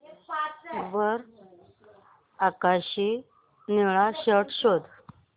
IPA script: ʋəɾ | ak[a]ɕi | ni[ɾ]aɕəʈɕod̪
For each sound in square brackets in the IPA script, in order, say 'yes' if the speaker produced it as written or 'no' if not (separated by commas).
yes, no